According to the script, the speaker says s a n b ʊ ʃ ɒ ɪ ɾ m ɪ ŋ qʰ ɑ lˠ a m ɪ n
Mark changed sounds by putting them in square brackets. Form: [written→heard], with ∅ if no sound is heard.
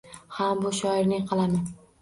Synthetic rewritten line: [s→h] a [n→m] b ʊ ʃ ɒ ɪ ɾ [m→n] ɪ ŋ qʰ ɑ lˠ a m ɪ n